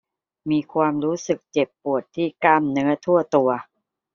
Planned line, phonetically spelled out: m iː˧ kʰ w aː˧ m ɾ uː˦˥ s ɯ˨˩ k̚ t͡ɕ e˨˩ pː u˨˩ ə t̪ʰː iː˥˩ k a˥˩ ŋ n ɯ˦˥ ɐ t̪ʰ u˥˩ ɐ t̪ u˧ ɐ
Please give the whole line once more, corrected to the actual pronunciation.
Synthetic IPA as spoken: m iː˧ kʰ w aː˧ m ɾ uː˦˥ s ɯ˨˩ k̚ t͡ɕ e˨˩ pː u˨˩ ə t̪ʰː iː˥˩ k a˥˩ m n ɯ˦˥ ɐ t̪ʰ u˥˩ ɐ t̪ u˧ ɐ